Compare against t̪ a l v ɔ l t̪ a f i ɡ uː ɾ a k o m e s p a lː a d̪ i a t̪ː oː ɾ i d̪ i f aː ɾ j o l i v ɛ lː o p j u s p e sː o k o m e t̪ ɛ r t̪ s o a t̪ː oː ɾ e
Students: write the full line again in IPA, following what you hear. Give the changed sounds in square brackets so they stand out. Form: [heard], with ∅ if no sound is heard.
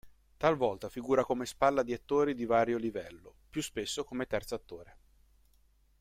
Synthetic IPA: t̪ a l v ɔ l t̪ a f i ɡ uː ɾ a k o m e s p a lː a d̪ i a t̪ː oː ɾ i d̪ i [v] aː ɾ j o l i v ɛ lː o p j u s p e sː o k o m e t̪ ɛ r t̪ s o a t̪ː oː ɾ e